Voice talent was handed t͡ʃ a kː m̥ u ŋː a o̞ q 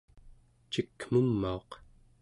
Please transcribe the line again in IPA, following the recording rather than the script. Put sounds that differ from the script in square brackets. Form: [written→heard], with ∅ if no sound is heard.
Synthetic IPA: t͡ʃ [a→i] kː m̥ u [ŋː→mː] a o̞ q